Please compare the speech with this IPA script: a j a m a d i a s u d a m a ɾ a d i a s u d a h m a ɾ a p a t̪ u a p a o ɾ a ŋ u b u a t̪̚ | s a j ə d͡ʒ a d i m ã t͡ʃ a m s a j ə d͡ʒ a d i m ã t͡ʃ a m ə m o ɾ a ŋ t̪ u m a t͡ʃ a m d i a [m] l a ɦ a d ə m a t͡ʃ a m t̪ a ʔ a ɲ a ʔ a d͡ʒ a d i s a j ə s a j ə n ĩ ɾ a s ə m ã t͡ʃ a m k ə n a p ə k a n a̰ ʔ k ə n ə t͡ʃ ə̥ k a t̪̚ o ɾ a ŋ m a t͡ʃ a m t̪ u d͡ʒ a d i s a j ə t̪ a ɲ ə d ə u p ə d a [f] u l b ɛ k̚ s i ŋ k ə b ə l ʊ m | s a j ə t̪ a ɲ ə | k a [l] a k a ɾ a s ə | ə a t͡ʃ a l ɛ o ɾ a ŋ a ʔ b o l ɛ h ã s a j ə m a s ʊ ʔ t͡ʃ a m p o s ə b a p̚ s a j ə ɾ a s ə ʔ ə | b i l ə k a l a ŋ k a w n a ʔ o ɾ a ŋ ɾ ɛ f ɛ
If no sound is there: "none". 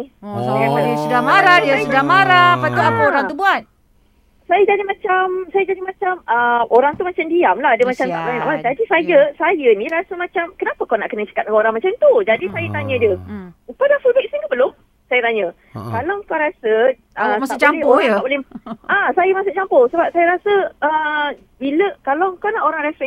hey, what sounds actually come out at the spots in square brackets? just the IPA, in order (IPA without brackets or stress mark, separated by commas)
m, f, l